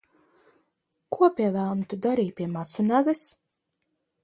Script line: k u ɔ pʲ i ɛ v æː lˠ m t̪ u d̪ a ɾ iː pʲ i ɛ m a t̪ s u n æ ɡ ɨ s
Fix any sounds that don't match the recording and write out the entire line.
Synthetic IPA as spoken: k u ɔ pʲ i ɛ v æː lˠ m t̪ u d̪ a ɾ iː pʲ i ɛ m a t̪ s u n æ ɡ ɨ s

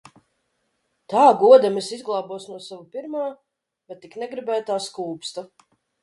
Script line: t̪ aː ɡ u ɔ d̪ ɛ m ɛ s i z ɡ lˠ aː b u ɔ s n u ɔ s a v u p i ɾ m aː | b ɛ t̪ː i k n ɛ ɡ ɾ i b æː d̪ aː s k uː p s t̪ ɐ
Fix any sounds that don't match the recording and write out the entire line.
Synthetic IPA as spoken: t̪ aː ɡ u ɔ d̪ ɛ m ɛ s i z ɡ lˠ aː b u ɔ s n u ɔ s a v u p i ɾ m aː | b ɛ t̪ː i k n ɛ ɡ ɾ i b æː t̪ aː s k uː p s t̪ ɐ

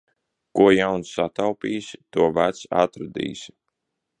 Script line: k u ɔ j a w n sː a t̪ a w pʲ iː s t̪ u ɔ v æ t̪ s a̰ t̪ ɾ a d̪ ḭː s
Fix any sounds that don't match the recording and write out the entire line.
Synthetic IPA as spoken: k u ɔ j a w n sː a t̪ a w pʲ iː s t̪ u ɔ v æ t̪ s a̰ t̪ ɾ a d̪ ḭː s

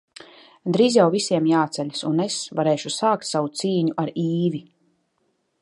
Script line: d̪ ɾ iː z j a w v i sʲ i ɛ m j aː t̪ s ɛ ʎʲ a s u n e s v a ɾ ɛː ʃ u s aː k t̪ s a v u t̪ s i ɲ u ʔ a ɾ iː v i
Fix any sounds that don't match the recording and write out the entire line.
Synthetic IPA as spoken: d̪ ɾ iː z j a w v i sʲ i ɛ m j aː t̪ s ɛ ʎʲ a s u n e s v a ɾ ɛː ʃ u s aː k t̪ s a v u t̪ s iː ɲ u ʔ a ɾ iː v i

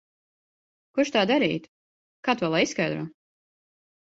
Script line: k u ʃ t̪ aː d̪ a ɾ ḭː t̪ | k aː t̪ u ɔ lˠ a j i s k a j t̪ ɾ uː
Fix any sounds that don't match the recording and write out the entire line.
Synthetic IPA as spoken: k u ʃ t̪ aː d̪ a ɾ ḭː t̪ | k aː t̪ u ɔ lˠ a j i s k a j d̪ ɾ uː

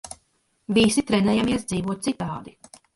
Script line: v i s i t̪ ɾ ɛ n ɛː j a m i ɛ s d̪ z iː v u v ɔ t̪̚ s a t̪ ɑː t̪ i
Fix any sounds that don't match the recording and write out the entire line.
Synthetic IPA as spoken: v i s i t̪ ɾ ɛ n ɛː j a m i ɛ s d̪ z iː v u ɔ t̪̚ s i t̪ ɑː d̪ i

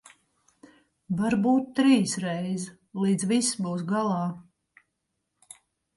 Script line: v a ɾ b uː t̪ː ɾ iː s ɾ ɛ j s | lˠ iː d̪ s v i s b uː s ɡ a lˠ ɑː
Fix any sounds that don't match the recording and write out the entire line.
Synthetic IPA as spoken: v a ɾ b uː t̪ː ɾ iː s ɾ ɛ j z | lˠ iː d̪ z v i s b uː s ɡ a lˠ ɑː

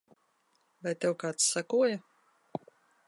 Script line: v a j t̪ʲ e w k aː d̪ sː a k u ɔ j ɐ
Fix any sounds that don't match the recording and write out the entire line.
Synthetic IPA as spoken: v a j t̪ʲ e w k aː t̪ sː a k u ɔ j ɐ

